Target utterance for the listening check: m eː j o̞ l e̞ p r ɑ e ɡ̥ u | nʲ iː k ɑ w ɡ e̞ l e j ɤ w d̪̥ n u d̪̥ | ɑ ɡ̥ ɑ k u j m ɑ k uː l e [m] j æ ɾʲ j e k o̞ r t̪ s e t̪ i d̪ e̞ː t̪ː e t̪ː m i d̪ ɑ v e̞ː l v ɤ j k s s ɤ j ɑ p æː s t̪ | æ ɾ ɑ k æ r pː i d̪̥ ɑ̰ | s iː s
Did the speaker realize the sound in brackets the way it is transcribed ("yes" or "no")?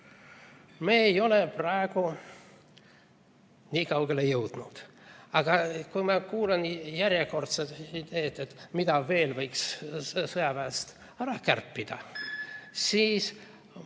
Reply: no